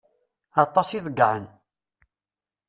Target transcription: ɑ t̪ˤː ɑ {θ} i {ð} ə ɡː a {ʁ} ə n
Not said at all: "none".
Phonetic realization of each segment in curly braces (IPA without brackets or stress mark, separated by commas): s, ð, ʕ